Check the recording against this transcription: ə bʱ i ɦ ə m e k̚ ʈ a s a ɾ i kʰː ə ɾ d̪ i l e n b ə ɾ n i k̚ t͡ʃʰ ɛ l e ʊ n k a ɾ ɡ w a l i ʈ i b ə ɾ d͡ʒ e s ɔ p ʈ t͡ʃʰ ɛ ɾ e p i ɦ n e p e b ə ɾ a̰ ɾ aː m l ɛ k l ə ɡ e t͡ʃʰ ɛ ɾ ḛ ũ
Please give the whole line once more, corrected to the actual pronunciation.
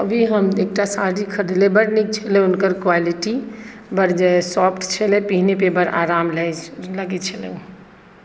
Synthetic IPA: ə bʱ i ɦ ə m e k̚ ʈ a s a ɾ i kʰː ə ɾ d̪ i l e b ə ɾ n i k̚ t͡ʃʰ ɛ l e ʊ n k ə ɾ k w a l i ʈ i b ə ɾ d͡ʒ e s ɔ p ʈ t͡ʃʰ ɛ l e p i ɦ n e p e b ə ɾ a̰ ɾ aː m l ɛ l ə ɡ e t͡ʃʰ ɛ l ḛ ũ